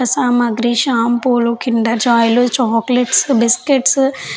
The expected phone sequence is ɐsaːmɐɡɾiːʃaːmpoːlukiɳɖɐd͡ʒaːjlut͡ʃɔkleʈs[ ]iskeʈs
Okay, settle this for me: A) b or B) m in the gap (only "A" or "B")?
A